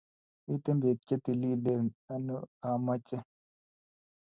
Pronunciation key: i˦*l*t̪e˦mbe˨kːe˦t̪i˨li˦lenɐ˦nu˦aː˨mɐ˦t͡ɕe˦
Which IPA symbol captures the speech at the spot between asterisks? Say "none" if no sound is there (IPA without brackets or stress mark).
none